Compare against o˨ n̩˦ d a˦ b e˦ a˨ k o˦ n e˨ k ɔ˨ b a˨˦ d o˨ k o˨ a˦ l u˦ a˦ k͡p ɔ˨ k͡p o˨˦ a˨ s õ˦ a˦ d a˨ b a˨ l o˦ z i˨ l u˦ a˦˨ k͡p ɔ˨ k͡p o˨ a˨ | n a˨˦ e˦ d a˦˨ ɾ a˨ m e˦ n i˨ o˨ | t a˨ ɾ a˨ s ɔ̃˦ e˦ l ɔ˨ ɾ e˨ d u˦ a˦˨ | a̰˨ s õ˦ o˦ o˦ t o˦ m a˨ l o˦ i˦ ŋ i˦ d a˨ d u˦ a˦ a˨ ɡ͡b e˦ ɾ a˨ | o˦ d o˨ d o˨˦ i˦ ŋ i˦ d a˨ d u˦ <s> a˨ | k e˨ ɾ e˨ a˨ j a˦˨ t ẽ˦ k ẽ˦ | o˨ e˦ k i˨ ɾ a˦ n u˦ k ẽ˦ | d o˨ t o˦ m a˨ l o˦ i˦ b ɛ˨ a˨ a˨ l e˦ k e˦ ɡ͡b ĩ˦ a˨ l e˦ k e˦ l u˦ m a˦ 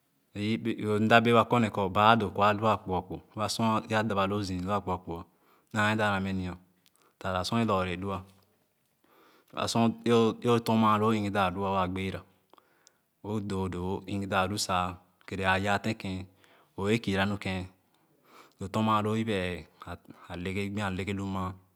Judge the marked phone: correct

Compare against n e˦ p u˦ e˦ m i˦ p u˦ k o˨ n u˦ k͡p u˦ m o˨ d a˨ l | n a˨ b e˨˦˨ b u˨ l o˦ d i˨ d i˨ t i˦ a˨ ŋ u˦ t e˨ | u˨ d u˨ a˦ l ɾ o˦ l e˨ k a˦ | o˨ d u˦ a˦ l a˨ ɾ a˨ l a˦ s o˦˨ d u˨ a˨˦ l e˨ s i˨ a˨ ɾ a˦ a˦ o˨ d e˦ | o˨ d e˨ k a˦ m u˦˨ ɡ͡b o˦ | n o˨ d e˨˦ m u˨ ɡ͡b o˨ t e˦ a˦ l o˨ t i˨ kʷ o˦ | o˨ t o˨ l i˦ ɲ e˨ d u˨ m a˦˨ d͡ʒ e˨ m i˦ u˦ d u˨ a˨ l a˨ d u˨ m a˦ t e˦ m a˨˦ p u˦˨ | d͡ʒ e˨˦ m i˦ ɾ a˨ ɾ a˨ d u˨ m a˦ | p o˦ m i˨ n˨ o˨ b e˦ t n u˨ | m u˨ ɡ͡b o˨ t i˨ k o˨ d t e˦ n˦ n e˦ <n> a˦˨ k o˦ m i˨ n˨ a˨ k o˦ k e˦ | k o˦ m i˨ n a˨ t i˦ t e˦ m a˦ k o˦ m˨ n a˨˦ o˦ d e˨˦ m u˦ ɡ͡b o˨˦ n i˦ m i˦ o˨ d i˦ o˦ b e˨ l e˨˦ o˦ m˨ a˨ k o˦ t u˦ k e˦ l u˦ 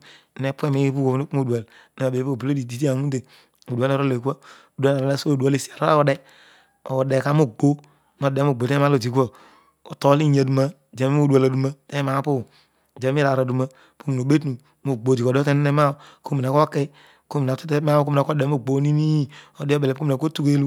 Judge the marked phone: incorrect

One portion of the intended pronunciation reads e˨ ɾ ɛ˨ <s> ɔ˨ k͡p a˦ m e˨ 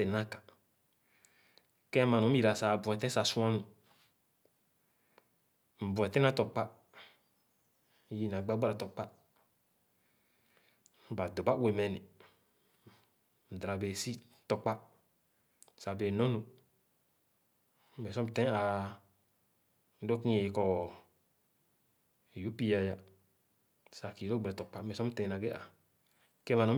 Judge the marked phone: incorrect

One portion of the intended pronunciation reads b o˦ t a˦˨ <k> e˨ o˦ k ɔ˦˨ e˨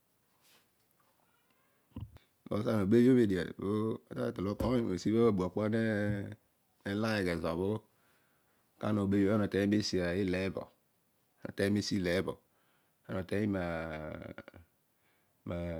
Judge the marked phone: incorrect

